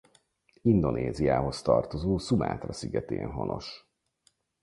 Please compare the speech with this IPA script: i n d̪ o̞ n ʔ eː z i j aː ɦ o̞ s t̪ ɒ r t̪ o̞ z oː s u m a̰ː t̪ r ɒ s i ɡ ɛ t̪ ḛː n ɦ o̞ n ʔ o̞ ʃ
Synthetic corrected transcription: i n d̪ o̞ n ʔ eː z i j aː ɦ o̞ s t̪ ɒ r t̪ o̞ z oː s u m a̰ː t̪ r ɒ s i ɡ ɛ t̪ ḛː n ɦ o̞ n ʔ o̞ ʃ